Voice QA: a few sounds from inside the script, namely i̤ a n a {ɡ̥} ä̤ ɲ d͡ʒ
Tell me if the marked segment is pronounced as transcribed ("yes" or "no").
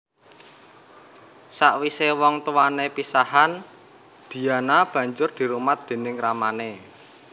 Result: no